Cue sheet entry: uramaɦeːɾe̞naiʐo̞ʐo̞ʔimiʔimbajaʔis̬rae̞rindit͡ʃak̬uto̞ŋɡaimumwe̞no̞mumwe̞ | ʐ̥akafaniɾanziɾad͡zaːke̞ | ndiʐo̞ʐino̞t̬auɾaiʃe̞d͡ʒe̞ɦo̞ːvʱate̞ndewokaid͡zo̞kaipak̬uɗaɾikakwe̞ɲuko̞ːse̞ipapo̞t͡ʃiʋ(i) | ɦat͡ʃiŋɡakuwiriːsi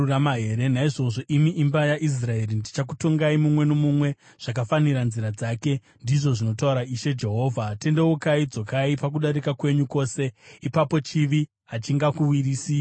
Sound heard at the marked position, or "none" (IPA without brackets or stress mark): i